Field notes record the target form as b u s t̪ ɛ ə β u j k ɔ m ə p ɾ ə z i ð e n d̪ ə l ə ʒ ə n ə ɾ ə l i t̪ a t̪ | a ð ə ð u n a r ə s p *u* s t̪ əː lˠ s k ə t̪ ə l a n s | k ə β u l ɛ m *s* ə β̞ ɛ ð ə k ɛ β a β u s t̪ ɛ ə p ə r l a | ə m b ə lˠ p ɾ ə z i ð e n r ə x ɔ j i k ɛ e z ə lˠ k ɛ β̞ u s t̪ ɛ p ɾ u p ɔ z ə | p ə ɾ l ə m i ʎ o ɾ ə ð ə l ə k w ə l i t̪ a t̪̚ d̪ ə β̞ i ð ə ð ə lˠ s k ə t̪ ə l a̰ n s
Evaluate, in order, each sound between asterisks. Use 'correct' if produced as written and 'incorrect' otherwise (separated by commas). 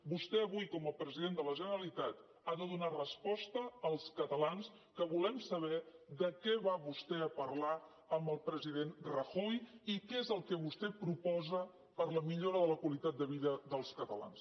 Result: incorrect, correct